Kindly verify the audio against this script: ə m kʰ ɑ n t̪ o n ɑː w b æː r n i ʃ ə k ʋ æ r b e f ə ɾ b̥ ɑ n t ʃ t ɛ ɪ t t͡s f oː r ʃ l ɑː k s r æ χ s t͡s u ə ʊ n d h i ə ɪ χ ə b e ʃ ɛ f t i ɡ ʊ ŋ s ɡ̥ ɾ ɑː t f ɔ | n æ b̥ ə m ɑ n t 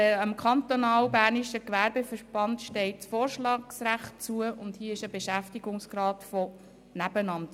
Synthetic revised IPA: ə m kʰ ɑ n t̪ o n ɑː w b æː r n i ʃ ə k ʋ æ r b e f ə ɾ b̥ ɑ n t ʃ t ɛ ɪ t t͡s f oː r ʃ l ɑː k s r æ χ t t͡s u ə ʊ n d h i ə ɪ ʃ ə b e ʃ æ f t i ɡ ʊ ŋ s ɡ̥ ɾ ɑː t f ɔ | n æ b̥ ə n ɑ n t